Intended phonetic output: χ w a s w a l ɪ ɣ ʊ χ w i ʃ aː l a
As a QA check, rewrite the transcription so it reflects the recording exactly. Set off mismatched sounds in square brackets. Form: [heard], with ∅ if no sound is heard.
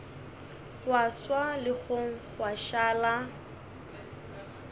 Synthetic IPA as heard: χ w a s w a l ɪ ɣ ʊ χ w [a] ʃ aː l a